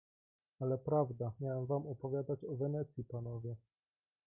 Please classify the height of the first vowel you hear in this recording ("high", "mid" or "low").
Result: low